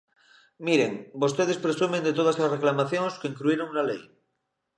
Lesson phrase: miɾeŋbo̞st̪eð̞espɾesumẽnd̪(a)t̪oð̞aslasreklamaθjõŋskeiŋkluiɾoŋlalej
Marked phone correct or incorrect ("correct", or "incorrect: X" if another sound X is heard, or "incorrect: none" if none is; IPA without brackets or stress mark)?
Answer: incorrect: e